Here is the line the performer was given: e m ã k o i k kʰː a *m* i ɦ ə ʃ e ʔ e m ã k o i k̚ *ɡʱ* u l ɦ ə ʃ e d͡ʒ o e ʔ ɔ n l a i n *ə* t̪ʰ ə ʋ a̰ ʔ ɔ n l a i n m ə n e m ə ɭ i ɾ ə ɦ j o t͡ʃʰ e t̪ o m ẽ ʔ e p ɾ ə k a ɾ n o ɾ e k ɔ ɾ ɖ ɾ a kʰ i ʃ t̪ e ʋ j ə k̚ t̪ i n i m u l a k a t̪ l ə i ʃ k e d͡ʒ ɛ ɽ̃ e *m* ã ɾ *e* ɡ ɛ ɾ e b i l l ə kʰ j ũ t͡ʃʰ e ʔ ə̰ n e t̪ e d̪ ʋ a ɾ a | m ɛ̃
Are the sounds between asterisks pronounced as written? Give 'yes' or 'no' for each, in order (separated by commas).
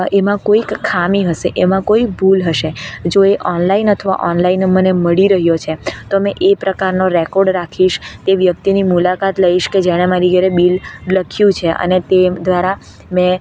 yes, no, yes, yes, no